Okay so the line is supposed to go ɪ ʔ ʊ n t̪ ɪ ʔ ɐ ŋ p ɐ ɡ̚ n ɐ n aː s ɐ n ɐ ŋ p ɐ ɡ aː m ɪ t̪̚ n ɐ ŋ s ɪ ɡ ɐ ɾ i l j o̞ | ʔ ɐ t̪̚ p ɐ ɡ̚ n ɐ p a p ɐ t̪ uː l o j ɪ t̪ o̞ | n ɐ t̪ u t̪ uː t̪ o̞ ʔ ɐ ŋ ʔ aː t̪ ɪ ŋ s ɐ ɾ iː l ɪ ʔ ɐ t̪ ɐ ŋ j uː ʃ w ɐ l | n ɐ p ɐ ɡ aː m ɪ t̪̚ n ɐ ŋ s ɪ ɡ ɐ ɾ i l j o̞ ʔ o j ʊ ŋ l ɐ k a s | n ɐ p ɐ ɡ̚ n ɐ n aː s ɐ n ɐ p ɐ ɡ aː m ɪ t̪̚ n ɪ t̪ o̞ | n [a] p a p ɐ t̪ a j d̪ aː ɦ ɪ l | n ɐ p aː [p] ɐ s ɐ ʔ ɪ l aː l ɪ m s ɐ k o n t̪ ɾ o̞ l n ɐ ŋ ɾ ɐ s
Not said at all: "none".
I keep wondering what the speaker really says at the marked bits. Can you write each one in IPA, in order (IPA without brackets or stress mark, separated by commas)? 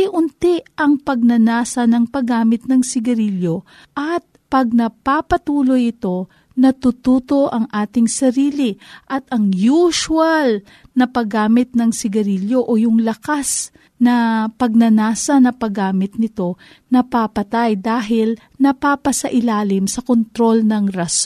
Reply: ɐ, p